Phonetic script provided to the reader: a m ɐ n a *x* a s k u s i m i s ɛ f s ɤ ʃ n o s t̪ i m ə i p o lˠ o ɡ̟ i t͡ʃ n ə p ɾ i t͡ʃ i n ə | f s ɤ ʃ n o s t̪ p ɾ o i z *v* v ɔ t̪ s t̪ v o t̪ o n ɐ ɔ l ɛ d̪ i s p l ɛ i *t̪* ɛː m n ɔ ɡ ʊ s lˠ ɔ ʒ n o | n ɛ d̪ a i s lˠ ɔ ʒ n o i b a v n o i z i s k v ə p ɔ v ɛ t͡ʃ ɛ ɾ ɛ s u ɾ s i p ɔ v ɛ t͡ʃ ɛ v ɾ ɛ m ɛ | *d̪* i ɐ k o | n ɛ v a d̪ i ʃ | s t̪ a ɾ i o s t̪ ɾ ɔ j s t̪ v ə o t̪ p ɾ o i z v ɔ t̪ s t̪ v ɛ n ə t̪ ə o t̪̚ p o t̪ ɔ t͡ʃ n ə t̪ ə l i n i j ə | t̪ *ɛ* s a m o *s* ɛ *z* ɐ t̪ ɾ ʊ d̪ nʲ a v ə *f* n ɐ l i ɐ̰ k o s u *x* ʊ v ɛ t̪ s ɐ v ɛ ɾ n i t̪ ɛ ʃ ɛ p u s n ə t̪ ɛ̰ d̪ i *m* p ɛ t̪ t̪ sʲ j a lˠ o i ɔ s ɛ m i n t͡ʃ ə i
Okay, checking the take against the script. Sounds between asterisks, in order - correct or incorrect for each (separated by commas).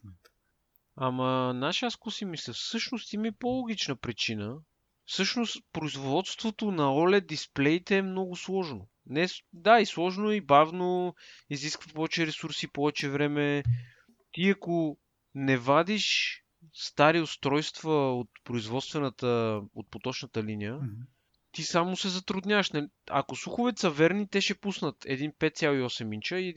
incorrect, correct, correct, incorrect, incorrect, correct, correct, incorrect, correct, incorrect